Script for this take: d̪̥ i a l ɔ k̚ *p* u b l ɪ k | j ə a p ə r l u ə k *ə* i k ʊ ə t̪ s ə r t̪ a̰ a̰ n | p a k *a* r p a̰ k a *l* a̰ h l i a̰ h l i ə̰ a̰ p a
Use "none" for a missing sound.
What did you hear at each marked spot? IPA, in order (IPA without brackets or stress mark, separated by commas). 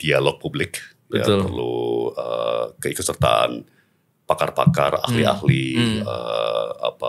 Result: p, ə, a, r